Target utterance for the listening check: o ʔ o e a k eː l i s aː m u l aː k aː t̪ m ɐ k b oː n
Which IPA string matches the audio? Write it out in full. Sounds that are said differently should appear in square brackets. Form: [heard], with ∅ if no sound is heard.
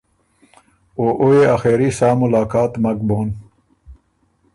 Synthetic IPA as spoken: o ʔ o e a [x] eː [ɾ] i s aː m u l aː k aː t̪ m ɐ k b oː n